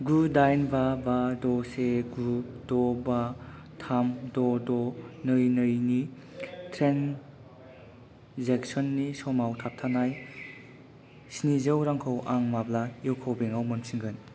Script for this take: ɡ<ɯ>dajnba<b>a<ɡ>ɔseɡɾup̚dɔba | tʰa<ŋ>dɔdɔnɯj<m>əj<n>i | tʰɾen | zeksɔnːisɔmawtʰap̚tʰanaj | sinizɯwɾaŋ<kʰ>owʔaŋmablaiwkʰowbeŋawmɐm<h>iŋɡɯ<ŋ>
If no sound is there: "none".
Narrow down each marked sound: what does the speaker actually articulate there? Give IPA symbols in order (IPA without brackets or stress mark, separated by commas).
u, b, d, m, n, n, kʰ, s, n